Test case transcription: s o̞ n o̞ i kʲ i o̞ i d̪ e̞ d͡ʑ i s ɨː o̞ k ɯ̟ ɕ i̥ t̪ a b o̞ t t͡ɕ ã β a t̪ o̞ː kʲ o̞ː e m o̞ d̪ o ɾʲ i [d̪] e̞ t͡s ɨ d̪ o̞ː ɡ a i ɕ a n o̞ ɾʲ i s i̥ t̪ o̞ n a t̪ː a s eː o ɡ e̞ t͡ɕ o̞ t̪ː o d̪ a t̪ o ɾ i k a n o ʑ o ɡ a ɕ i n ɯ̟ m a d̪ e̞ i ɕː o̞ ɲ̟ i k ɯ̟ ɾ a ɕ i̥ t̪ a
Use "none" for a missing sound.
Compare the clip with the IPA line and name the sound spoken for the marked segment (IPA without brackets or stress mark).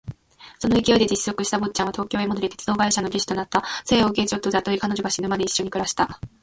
t̪